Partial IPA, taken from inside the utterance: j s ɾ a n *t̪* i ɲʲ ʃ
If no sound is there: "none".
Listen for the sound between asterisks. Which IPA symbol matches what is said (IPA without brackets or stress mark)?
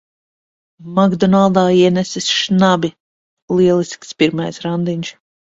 d̪